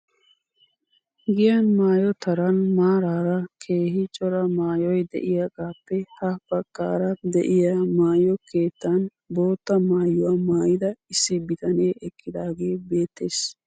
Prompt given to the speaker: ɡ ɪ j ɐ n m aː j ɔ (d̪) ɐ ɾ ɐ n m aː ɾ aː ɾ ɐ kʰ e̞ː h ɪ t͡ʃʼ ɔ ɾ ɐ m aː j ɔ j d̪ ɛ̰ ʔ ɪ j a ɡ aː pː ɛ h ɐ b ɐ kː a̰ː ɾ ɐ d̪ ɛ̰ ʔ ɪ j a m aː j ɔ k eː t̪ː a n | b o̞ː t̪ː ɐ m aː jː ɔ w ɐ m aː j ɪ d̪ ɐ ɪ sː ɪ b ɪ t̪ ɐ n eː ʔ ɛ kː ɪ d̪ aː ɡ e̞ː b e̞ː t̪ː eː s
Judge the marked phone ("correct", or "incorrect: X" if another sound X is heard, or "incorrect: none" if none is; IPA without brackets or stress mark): incorrect: t̪